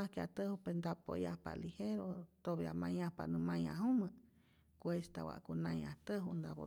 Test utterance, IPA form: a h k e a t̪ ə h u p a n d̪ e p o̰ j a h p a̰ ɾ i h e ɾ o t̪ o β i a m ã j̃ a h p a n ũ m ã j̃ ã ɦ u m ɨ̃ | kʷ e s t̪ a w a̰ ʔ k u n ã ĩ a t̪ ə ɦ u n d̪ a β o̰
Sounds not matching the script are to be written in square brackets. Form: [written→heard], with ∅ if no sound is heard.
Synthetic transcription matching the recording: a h k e a t̪ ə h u p [a→e] n d̪ [e→a] p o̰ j a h p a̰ [ɾ→l] i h e ɾ o t̪ o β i a m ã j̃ a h p a n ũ m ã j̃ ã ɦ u m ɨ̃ | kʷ e s t̪ a w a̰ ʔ k u n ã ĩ a t̪ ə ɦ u n d̪ a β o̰

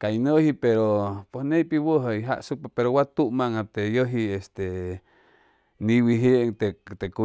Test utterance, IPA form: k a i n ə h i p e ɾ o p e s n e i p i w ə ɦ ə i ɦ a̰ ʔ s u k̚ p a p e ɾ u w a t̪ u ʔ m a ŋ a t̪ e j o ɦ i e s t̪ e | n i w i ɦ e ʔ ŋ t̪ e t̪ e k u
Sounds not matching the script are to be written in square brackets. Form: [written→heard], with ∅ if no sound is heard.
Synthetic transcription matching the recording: k a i n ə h i p e ɾ o p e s n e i p i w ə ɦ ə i ɦ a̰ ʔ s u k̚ p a p e ɾ [u→o] w a t̪ u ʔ m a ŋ a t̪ e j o ɦ i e s t̪ e | n i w i ɦ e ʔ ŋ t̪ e t̪ e k u

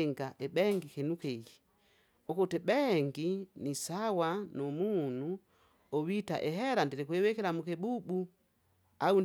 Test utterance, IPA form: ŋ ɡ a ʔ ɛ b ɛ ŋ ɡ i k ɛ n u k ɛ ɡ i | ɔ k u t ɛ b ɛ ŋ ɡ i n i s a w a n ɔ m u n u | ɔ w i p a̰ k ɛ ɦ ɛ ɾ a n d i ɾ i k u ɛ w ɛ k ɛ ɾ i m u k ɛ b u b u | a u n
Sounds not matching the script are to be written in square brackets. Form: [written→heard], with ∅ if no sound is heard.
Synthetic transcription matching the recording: ŋ ɡ a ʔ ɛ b ɛ ŋ ɡ i k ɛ n u k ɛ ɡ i | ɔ k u t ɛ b ɛ ŋ ɡ i n i s a w a n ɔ m u n u | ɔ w i [p→t] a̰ [k→ʔ] ɛ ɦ ɛ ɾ a n d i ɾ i k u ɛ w ɛ k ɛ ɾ [i→a] m u k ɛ b u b u | a u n

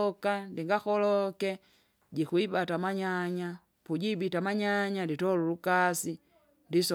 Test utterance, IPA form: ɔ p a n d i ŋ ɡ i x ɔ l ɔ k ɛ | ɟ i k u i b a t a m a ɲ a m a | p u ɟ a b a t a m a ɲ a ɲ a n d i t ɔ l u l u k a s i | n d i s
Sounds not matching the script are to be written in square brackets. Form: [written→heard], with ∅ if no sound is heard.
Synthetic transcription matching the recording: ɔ [p→k] a n d i ŋ ɡ [i→a] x ɔ l ɔ k ɛ | ɟ i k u i b a t a m a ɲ a [m→ɲ] a | p u ɟ [a→i] b [a→i] t a m a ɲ a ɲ a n d i t ɔ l u l u k a s i | n d i s

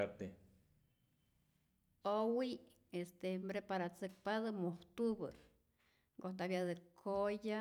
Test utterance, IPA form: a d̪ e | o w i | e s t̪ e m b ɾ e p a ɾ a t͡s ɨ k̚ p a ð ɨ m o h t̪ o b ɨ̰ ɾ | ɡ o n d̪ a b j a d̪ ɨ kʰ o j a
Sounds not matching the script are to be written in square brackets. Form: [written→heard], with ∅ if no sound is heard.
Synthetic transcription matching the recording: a [d̪→t̪] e | o w i | e s t̪ e m b ɾ e p a ɾ a t͡s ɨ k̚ p a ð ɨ m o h t̪ [o→u] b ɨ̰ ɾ | ɡ o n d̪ a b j a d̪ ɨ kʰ o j a

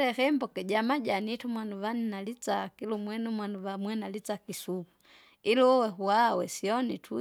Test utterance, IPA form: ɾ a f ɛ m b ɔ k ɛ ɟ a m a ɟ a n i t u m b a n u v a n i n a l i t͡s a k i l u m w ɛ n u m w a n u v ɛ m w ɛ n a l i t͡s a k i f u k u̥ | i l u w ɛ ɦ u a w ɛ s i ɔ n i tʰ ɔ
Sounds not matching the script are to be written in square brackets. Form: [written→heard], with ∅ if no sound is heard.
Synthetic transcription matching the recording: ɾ [a→ɛ] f ɛ m b ɔ k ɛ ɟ a m a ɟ a n i t u m [b→w] a n u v a n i n a l i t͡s a k i l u m w ɛ n u m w a n u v [ɛ→a] m w ɛ n a l i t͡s a k i [f→s] u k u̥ | i l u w ɛ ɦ u a w ɛ s i ɔ n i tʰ [ɔ→u]

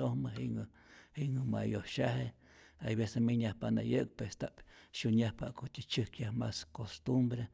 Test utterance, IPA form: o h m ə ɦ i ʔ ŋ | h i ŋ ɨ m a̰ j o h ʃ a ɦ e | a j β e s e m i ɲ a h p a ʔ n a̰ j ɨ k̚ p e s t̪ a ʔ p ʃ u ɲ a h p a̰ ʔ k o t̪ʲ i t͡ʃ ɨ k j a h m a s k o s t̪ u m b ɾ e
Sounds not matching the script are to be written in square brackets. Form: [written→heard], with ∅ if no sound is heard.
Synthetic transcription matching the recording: o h m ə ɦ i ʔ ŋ | h i ŋ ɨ m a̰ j o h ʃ a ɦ e | a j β e s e m i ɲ a h p a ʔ n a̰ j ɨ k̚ p e s t̪ a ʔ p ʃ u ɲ a h p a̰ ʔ k o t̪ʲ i t͡ʃ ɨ k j a h m a s k o s t̪ u m b ɾ e

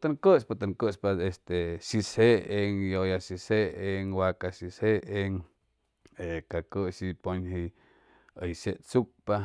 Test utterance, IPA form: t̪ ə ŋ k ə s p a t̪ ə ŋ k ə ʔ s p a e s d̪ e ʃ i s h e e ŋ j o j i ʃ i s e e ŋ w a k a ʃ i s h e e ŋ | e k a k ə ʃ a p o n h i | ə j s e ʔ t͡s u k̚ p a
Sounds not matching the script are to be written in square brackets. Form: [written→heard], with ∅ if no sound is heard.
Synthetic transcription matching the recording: t̪ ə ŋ k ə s p a t̪ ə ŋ k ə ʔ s p a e s [d̪→t̪] e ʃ i s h e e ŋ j o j [i→a] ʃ i s e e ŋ w a k a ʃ i s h e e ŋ | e k a k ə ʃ [a→i] p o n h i | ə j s e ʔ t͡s u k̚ p a

